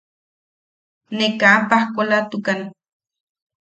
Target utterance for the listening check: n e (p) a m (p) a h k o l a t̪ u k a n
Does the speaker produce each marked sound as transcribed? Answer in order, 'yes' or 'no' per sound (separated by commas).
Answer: no, yes